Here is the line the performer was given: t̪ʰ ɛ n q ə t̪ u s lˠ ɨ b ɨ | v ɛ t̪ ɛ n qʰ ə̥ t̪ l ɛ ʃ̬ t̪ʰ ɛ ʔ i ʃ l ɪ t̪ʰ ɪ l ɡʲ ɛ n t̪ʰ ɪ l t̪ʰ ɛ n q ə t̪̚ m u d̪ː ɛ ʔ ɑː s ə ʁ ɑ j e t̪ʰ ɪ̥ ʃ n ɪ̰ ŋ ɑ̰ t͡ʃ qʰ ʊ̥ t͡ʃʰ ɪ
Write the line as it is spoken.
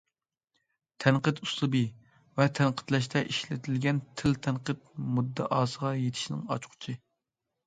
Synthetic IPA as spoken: t̪ʰ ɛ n q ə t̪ u s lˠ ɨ b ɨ | v ɛ t̪ʰ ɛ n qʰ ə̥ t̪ l ɛ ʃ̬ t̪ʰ ɛ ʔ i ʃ l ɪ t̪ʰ ɪ l ɡʲ ɛ n t̪ʰ ɪ l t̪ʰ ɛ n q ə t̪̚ m u d̪ː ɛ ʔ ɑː s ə ʁ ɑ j e t̪ʰ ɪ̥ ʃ n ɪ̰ ŋ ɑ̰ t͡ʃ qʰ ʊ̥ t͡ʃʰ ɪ

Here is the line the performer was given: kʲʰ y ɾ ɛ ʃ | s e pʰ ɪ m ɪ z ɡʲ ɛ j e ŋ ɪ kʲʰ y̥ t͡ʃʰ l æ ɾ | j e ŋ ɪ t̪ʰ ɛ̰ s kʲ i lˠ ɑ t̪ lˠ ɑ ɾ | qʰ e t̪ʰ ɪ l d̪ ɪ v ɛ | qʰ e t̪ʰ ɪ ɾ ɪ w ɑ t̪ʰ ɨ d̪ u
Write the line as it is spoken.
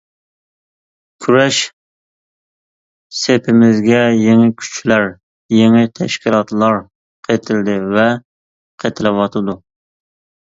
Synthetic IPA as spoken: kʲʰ y ɾ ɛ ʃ | s e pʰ ɪ m ɪ z ɡʲ ɛ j e ŋ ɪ kʲʰ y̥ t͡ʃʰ l æ ɾ | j e ŋ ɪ t̪ʰ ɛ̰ ʃ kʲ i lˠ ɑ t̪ lˠ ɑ ɾ | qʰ e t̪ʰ ɪ l d̪ ɪ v ɛ | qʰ e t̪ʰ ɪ l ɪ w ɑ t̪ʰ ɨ d̪ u

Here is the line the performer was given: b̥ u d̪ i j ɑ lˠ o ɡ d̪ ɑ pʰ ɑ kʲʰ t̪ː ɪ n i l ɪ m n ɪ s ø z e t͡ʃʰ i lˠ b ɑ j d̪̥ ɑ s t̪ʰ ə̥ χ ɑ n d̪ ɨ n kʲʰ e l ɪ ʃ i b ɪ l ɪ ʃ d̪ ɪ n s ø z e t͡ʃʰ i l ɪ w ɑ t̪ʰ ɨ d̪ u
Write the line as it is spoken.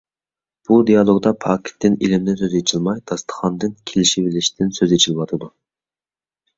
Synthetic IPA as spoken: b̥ u d̪ i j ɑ lˠ o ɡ d̪ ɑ pʰ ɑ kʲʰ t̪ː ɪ n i l ɪ m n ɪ s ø z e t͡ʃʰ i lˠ m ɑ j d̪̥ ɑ s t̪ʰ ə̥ χ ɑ n d̪ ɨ n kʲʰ e l ɪ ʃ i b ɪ l ɪ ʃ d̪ ɪ n s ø z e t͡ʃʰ i l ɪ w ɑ t̪ʰ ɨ d̪ u

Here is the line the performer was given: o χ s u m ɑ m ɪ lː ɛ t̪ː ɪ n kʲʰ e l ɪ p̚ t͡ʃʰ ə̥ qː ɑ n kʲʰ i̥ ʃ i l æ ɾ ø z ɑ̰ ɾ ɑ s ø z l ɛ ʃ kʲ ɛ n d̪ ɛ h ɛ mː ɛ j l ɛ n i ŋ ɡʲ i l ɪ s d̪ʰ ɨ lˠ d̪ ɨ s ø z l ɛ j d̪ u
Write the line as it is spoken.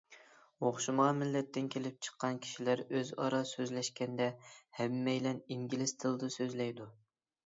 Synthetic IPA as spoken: o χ ʃ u m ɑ m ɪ lː ɛ t̪ː ɪ n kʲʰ e l ɪ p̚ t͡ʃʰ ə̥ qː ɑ n kʲʰ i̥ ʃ i l æ ɾ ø z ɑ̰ ɾ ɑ s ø z l ɛ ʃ kʲ ɛ n d̪ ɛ h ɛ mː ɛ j l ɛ n i ŋ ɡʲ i l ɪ s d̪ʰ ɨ lˠ d̪ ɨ s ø z l ɛ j d̪ u

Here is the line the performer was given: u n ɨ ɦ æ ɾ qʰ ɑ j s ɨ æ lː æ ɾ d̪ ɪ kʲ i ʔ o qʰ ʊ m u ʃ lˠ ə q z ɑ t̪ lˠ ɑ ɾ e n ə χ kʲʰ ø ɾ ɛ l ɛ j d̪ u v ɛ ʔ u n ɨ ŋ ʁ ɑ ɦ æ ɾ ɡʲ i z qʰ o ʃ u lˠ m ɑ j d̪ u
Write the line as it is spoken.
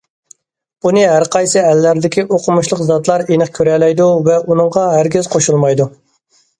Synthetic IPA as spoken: u n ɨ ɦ æ ɾ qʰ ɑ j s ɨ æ lː æ ɾ d̪ ɪ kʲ i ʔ o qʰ ʊ m u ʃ lˠ ə q z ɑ t̪ lˠ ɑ ɾ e n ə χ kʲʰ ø ɾ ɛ l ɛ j d̪ u v ɛ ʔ u n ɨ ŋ ʁ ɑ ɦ æ ɾ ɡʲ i z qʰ o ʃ u lˠ m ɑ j d̪ u

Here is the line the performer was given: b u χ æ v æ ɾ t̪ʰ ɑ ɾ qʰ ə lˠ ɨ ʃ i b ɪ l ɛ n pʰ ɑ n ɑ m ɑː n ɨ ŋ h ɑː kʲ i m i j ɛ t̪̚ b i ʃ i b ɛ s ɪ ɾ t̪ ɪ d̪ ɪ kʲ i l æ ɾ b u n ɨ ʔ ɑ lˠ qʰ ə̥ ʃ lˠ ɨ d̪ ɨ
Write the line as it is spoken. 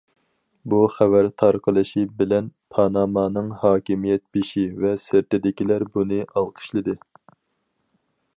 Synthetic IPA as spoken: b u χ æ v æ ɾ t̪ʰ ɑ ɾ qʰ ə lˠ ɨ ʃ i b ɪ l ɛ n pʰ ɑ n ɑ m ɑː n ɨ ŋ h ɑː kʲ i m i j ɛ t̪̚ b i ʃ i v ɛ s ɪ ɾ t̪ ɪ d̪ ɪ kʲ i l æ ɾ b u n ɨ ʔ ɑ lˠ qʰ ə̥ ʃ lˠ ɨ d̪ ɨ

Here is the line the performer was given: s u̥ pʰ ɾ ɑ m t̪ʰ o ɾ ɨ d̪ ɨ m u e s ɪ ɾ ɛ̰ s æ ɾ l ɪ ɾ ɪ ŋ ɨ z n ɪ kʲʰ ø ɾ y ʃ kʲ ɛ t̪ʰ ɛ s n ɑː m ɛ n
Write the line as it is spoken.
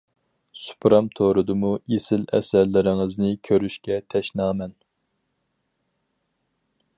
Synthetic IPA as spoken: s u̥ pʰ ɾ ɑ m t̪ʰ o ɾ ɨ d̪ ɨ m u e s ɪ l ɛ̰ s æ ɾ l ɪ ɾ ɪ ŋ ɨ z n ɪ kʲʰ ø ɾ y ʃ kʲ ɛ t̪ʰ ɛ ʃ n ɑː m ɛ n

